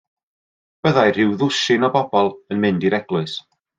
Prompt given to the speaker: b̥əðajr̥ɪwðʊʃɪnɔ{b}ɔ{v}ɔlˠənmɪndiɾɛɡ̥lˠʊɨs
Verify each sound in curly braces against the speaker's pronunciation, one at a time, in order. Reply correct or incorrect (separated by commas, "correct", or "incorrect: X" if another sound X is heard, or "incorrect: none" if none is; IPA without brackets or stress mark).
correct, incorrect: b